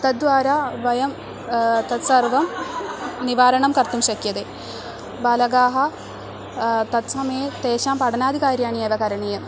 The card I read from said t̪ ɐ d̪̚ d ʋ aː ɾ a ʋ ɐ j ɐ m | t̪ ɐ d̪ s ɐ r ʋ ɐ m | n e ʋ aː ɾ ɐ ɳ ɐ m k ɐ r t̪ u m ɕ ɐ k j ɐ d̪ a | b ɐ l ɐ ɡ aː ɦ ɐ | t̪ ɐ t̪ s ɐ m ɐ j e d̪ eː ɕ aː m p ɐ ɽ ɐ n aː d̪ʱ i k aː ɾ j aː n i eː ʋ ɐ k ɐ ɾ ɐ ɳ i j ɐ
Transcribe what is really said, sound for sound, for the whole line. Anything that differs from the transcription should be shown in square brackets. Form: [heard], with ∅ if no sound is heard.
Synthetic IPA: t̪ ɐ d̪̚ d ʋ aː ɾ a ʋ ɐ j ɐ m | t̪ ɐ [t̪] s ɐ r ʋ ɐ m | n [i] ʋ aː ɾ ɐ ɳ ɐ m k ɐ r t̪ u m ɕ ɐ k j ɐ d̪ [e] | b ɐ l ɐ ɡ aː ɦ ɐ | t̪ ɐ t̪ s ɐ m ɐ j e [t̪] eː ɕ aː m p ɐ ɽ ɐ n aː d̪ʱ i k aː ɾ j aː n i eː ʋ ɐ k ɐ ɾ ɐ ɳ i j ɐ